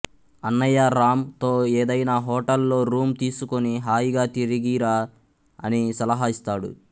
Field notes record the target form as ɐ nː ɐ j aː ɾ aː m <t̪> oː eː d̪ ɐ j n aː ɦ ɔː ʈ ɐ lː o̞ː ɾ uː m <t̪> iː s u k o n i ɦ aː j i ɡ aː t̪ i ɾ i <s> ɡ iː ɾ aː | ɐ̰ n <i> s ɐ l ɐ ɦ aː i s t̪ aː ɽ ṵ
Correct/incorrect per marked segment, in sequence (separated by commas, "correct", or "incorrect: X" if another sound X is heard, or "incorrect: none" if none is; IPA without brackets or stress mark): correct, correct, incorrect: none, correct